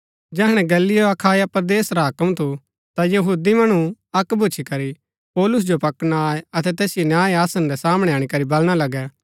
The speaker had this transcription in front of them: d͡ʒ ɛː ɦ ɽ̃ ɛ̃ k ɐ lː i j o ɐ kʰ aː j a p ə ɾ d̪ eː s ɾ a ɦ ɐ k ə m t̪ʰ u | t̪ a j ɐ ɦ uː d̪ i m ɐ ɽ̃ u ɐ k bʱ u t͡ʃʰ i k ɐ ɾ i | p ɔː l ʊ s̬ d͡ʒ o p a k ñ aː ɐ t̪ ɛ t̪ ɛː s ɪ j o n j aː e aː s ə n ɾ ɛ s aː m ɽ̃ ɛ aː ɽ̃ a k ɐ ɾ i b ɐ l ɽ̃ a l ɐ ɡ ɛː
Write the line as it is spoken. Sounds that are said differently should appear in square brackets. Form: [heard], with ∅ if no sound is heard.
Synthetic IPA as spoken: d͡ʒ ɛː ɦ ɽ̃ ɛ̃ [ɡ] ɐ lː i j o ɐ kʰ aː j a p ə ɾ d̪ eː s ɾ a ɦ ɐ k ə m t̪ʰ u | t̪ a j ɐ ɦ uː d̪ i m ɐ ɽ̃ u ɐ k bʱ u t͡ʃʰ i k ɐ ɾ i | p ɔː l ʊ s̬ d͡ʒ o p [ɐ] k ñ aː ɐ t̪ ɛ t̪ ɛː s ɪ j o n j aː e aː s ə n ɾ ɛ s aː m ɽ̃ ɛ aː ɽ̃ [i] k ɐ ɾ i b ɐ l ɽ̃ a l ɐ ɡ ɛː

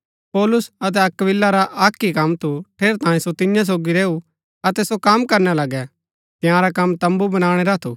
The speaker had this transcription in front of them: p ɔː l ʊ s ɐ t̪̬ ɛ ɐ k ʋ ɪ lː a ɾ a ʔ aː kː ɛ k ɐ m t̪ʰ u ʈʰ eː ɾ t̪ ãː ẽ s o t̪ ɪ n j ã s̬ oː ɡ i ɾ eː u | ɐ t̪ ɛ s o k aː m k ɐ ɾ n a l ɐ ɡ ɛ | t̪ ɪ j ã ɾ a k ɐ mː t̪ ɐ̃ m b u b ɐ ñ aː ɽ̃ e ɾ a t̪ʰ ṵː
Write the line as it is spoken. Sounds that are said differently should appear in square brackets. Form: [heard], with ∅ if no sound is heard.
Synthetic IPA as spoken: p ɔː l ʊ s ɐ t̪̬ ɛ ɐ k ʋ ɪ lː a ɾ a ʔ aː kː [i] k ɐ m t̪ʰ u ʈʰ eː ɾ t̪ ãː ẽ s o t̪ ɪ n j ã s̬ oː ɡ i ɾ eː u | ɐ t̪ ɛ s o k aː m k ɐ ɾ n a l ɐ ɡ ɛ | t̪ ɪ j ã ɾ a k ɐ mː t̪ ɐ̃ m b u b ɐ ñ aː ɽ̃ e ɾ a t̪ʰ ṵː

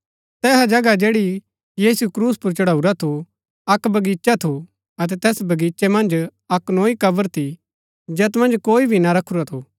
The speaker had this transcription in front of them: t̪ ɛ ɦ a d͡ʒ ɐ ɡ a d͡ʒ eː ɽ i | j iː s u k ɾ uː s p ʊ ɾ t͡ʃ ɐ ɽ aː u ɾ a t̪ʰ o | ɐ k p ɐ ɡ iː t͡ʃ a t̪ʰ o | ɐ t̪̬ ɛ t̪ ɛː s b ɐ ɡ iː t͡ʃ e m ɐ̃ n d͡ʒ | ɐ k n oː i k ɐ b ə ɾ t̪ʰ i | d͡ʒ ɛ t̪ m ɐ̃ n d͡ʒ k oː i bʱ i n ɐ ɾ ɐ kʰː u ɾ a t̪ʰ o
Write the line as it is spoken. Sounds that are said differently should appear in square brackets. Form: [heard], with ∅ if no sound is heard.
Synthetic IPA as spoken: t̪ [ɛː] ɦ a d͡ʒ ɐ ɡ a d͡ʒ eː ɽ i | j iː s u k ɾ uː s p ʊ ɾ t͡ʃ ɐ ɽ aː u ɾ a t̪ʰ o | ɐ k [b] ɐ ɡ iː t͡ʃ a t̪ʰ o | ɐ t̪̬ ɛ t̪ ɛː s b ɐ ɡ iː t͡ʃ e m ɐ̃ n d͡ʒ | ɐ k n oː i k ɐ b ə ɾ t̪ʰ i | d͡ʒ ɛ t̪ m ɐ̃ n d͡ʒ k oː i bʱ i n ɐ ɾ ɐ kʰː u ɾ a t̪ʰ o

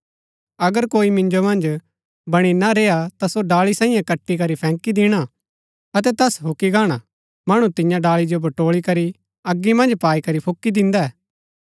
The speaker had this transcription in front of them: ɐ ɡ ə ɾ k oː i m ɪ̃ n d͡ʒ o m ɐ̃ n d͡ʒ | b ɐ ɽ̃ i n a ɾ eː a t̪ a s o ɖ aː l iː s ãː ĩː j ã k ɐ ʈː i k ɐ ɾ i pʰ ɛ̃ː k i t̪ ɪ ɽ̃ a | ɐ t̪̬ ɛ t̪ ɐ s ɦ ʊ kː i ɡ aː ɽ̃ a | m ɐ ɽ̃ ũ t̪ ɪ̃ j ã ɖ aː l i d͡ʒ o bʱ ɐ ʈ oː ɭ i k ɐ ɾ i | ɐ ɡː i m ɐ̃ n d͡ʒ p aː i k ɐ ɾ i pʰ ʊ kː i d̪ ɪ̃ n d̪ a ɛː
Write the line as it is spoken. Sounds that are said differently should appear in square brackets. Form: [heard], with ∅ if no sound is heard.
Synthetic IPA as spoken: ɐ ɡ ə ɾ k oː i m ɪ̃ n d͡ʒ o m ɐ̃ n d͡ʒ | b ɐ ɽ̃ i n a ɾ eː a t̪ a s o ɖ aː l [i] s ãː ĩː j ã k ɐ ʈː i k ɐ ɾ i pʰ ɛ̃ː k i [d̪] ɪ ɽ̃ a | ɐ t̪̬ ɛ t̪ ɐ s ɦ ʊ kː i ɡ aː ɽ̃ a | m ɐ ɽ̃ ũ t̪ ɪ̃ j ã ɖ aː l i d͡ʒ o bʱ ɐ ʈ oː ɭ i k ɐ ɾ i | ɐ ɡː i m ɐ̃ n d͡ʒ p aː i k ɐ ɾ i pʰ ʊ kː i d̪ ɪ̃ n d̪ a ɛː

